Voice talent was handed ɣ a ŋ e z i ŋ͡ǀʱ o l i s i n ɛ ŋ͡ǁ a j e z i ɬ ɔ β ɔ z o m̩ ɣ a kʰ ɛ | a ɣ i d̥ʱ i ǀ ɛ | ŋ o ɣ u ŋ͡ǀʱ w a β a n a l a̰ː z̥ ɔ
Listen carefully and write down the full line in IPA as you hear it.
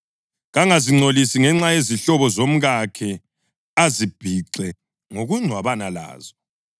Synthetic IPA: ɣ a ŋ a z i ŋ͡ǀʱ o l i s i ŋ ɛ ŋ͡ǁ a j e z i ɬ ɔ β ɔ z o m̩ ɣ a kʰ ɛ | a z i b̥ʱ i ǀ ɛ | ŋ o ɣ u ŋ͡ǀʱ w a β a n a l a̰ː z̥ ɔ